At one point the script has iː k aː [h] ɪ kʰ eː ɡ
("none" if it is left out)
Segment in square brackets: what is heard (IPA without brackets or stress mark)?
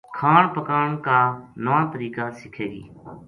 s